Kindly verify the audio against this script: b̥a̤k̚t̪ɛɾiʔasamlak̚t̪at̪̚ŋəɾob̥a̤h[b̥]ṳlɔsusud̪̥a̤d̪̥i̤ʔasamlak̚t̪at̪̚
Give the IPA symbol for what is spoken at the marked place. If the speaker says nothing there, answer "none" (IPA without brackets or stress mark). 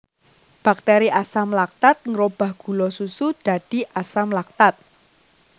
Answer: ɡ̥